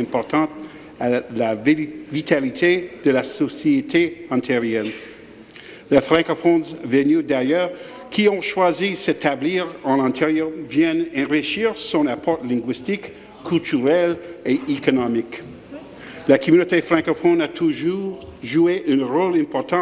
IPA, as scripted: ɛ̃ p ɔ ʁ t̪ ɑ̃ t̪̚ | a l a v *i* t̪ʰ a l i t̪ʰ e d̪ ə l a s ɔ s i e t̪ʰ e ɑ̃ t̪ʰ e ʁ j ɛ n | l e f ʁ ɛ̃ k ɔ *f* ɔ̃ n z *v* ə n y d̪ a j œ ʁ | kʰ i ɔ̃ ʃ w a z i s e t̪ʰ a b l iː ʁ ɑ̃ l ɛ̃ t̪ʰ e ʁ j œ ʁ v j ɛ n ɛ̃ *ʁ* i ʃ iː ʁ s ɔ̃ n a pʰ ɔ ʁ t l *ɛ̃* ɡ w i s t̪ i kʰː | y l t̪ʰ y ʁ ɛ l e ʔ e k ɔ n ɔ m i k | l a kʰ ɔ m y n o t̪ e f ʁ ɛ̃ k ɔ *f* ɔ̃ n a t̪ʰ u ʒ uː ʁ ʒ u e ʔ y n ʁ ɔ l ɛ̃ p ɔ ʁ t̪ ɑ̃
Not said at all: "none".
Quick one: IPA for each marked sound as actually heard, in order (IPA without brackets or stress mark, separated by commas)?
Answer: i, f, v, ʁ, ɛ̃, f